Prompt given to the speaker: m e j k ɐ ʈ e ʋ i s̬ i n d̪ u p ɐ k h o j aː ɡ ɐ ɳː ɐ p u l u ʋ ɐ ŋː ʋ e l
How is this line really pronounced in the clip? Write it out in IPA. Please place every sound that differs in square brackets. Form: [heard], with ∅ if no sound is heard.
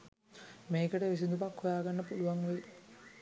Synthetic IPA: m e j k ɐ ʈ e ʋ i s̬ i n d̪ u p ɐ k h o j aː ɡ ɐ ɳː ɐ p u l u ʋ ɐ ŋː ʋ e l